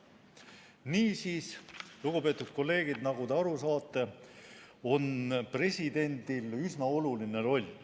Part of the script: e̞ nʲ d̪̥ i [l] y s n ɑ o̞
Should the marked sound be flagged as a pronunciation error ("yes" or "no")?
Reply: no